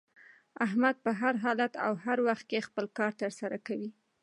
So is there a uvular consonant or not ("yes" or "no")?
no